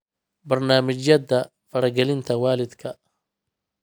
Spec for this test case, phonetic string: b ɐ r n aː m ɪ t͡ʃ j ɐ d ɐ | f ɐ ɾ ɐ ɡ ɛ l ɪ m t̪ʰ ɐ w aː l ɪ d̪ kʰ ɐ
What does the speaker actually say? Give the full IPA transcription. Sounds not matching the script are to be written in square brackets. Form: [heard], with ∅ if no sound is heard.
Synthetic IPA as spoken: b ɐ r n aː m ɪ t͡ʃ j ɐ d ɐ | f ɐ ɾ ɐ ɡ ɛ l ɪ [n] t̪ʰ ɐ w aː l ɪ d̪ kʰ ɐ